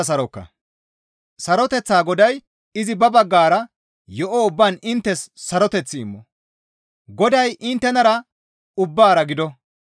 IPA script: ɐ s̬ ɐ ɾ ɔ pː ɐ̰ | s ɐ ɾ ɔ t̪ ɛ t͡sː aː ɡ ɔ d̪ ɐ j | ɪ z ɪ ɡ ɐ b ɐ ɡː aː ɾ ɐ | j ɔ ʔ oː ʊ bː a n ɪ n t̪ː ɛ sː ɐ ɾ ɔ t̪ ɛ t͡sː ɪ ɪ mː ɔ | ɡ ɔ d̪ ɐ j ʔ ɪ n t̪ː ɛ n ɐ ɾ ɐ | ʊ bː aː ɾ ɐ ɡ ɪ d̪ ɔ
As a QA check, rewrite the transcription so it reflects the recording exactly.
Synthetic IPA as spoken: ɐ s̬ ɐ ɾ ɔ kː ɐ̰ | s ɐ ɾ ɔ t̪ ɛ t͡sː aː ɡ ɔ d̪ ɐ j | ɪ z ɪ b ɐ b ɐ ɡː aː ɾ ɐ | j ɔ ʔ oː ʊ bː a n ɪ n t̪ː ɛ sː ɐ ɾ ɔ t̪ ɛ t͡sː ɪ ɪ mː ɔ | ɡ ɔ d̪ ɐ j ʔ ɪ n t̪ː ɛ n ɐ ɾ ɐ | ʊ bː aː ɾ ɐ ɡ ɪ d̪ ɔ

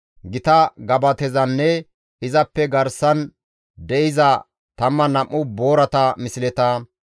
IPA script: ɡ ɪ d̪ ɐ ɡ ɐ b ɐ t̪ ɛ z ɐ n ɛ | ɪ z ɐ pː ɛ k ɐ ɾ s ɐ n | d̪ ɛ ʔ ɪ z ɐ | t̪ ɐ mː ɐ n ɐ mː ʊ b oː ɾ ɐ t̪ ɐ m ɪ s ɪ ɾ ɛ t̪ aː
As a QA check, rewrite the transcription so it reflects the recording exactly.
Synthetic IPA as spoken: ɡ ɪ t̪ ɐ ɡ ɐ b ɐ t̪ ɛ z ɐ nː ɛ | ɪ z ɐ pː ɛ ɡ ɐ ɾ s ɐ n | d̪ ɛ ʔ ɪ z ɐ | t̪ ɐ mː ɐ n ɐ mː ʊ b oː ɾ ɐ t̪ ɐ m ɪ s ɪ l ɛ t̪ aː

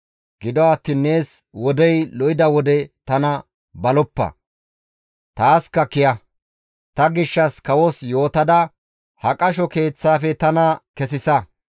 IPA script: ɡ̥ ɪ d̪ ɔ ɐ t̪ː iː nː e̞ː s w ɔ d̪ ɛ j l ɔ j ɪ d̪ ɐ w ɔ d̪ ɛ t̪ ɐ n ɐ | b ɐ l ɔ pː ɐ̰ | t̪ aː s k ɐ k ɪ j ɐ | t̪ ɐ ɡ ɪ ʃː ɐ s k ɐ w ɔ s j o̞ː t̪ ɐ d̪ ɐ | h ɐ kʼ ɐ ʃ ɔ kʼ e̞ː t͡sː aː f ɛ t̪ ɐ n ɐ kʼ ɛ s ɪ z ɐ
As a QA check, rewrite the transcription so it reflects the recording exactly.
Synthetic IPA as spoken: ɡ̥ ɪ d̪ ɔ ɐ t̪ː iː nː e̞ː s w ɔ d̪ ɛ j l ɔ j ɪ d̪ ɐ w ɔ d̪ ɛ t̪ ɐ n ɐ | b ɐ l ɔ pː ɐ̰ | t̪ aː s k ɐ k ɪ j ɐ | t̪ ɐ ɡ ɪ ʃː ɐ s k ɐ w ɔ s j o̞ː t̪ ɐ d̪ ɐ | h ɐ kʼ ɐ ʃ ɔ k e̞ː t͡sː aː f ɛ t̪ ɐ n ɐ k ɛ s ɪ s ɐ

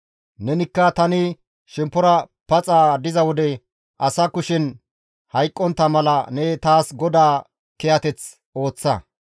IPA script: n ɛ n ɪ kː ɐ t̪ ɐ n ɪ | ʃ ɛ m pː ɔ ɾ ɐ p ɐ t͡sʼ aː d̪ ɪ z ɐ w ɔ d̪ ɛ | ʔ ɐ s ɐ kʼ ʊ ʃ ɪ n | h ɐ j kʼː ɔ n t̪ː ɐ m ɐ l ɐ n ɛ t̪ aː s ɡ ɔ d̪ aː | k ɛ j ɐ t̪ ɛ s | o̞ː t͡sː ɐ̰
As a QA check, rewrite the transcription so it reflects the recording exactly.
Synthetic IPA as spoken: n ɛ n ɪ kː ɐ t̪ ɐ n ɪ | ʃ ɛ m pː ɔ ɾ ɐ p ɐ t͡sʼ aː d̪ ɪ z ɐ w ɔ d̪ ɛ | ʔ ɐ s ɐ k ʊ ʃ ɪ n | h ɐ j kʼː ɔ n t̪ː ɐ m ɐ l ɐ n ɛ t̪ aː s ɡ ɔ d̪ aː | k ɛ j ɐ t̪ ɛ t͡s | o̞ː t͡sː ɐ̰

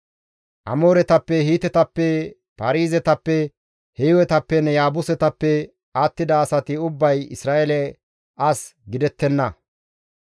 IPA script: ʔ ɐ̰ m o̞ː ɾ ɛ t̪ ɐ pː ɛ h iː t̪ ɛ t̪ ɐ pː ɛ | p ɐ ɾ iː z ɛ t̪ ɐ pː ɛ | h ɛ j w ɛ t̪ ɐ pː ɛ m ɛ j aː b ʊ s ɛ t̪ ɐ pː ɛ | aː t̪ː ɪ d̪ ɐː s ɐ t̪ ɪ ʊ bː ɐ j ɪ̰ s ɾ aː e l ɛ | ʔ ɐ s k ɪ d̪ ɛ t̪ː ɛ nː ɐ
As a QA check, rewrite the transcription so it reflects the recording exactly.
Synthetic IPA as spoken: ʔ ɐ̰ m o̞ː ɾ ɛ t̪ ɐ pː ɛ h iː t̪ ɛ t̪ ɐ pː ɛ | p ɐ ɾ iː z ɛ t̪ ɐ pː ɛ | h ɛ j w ɛ t̪ ɐ pː ɛ n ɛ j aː b ʊ s ɛ t̪ ɐ pː ɛ | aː t̪ː ɪ d̪ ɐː s ɐ t̪ ɪ ʊ bː ɐ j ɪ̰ s ɾ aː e l ɛ | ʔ ɐ s ɡ ɪ d̪ ɛ t̪ː ɛ nː ɐ

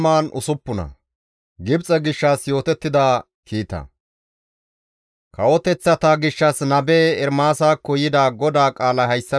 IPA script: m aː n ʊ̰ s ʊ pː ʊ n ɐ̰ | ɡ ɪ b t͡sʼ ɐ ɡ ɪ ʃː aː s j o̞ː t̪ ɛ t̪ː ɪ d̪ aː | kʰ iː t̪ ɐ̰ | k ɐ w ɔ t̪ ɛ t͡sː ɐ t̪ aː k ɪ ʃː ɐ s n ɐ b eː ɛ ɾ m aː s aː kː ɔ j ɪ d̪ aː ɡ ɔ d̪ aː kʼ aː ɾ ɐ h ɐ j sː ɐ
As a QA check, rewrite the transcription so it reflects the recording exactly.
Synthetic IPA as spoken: m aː n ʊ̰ s ʊ pː ʊ n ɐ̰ | ɡ ɪ b t͡sʼ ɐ ɡ ɪ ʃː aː s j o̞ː t̪ ɛ t̪ː ɪ d̪ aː | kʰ iː t̪ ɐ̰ | k ɐ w ɔ t̪ ɛ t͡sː ɐ t̪ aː ɡ ɪ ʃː ɐ s n ɐ b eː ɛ ɾ m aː s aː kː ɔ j ɪ d̪ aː ɡ ɔ d̪ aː kʼ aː l ɐ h ɐ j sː ɐ

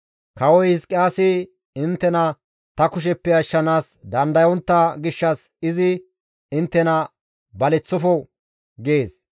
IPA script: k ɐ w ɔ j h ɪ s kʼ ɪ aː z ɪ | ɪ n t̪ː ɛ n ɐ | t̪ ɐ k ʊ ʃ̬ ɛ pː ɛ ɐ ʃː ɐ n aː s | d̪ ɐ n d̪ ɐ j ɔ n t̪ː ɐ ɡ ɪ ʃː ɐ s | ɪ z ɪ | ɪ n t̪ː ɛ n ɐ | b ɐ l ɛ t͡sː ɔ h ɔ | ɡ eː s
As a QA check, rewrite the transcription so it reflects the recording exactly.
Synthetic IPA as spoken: k ɐ w ɔ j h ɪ s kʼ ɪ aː s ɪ | ɪ n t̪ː ɛ n ɐ | t̪ ɐ k ʊ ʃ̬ ɛ pː ɛ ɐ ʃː ɐ n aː s | d̪ ɐ n d̪ ɐ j ɔ n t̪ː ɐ ɡ ɪ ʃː ɐ s | ɪ z ɪ | ɪ n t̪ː ɛ n ɐ | b ɐ l ɛ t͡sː ɔ f ɔ | ɡ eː s

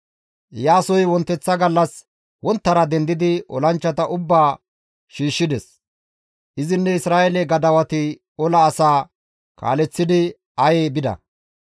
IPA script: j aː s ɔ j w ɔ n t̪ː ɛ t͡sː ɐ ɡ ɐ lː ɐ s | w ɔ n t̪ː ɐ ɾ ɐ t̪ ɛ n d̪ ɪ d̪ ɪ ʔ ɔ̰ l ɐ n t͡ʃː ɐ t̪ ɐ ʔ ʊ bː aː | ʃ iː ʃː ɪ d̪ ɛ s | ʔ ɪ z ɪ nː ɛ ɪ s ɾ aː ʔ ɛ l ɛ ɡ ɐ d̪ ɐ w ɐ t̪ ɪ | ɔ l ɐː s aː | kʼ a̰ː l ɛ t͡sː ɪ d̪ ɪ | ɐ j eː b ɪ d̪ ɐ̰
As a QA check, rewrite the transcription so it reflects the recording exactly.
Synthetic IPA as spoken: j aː s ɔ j w ɔ n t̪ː ɛ t͡sː ɐ ɡ ɐ lː ɐ s | w ɔ n t̪ː ɐ ɾ ɐ d̪ ɛ n d̪ ɪ d̪ ɪ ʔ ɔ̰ l ɐ n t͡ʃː ɐ t̪ ɐ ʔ ʊ bː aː | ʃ iː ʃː ɪ d̪ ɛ s | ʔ ɪ z ɪ nː ɛ ɪ s ɾ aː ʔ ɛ l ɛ ɡ ɐ d̪ ɐ w ɐ t̪ ɪ | ɔ l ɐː s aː | k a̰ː l ɛ t͡sː ɪ d̪ ɪ | ɐ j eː b ɪ d̪ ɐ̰

